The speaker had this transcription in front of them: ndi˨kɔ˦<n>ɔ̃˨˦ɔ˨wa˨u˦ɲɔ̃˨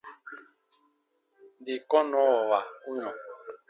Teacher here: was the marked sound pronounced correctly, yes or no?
yes